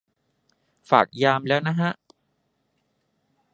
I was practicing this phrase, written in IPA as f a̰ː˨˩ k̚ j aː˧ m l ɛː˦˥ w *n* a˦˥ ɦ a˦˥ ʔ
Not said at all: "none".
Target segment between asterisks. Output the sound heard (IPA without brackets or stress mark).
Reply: n